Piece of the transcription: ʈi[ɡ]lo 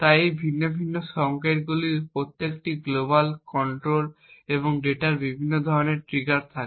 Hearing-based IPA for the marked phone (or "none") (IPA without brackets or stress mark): ɡ